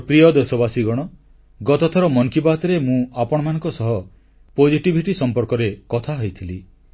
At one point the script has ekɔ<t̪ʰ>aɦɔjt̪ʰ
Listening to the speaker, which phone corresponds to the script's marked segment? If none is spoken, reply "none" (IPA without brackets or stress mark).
t̪ʰ